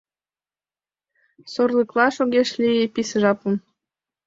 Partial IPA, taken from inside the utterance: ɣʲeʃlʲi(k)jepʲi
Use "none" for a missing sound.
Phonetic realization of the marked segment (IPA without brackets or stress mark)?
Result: none